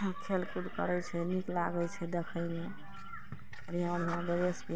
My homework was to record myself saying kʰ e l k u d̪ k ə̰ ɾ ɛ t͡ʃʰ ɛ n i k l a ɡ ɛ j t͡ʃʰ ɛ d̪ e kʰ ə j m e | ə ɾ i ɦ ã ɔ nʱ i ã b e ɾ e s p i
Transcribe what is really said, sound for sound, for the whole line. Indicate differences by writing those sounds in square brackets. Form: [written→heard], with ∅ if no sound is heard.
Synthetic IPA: kʰ e l k u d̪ k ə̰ ɾ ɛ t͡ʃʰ ɛ n i k l a ɡ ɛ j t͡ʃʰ ɛ d̪ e kʰ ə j m e | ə ɾ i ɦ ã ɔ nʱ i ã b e ɾ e s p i